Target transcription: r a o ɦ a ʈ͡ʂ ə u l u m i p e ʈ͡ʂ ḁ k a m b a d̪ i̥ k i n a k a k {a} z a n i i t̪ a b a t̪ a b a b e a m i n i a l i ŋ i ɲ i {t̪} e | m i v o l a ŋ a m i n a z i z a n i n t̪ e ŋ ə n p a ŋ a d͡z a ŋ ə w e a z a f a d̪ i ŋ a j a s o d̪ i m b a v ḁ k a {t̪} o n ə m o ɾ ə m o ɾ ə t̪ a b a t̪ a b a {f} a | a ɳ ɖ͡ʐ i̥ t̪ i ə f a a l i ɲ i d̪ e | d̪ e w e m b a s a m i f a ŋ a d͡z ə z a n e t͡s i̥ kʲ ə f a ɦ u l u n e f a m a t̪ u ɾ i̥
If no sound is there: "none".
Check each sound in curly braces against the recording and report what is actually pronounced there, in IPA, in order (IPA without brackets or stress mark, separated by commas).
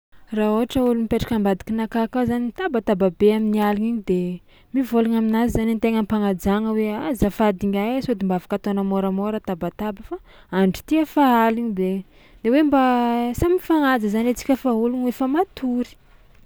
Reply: a, d̪, t̪, f